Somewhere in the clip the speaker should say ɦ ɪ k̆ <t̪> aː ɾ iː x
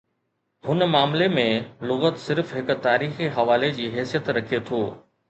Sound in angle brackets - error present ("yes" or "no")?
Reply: no